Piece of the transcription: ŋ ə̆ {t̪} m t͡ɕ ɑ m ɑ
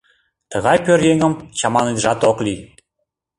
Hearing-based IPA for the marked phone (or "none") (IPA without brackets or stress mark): none